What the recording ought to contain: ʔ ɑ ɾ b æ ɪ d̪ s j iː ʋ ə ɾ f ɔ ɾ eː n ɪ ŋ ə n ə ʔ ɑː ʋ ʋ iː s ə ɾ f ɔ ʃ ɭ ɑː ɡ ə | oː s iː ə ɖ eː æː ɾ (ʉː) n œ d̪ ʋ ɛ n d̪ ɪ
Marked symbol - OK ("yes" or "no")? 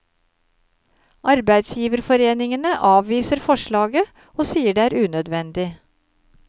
yes